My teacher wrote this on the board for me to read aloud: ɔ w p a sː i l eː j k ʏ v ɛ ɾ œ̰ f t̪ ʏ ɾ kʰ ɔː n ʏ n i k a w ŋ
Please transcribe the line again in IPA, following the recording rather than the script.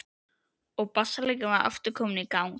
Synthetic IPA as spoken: ɔ ɣ p a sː a l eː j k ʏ v a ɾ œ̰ f t̪ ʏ ɾ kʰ ɔː m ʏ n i k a w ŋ